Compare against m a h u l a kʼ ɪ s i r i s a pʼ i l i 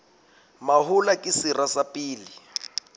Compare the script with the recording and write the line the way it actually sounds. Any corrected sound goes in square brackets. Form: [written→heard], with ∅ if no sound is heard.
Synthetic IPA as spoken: m a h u l a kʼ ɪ s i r [i→a] s a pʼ [i→iː] l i